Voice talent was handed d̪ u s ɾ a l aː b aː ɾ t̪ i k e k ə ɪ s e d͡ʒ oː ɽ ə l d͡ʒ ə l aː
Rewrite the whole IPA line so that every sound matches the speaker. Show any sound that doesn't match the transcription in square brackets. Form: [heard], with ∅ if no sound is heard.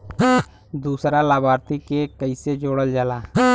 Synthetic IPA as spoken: d̪ [uː] s ɾ a l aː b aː ɾ t̪ i k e k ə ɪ s e d͡ʒ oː ɽ ə l d͡ʒ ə l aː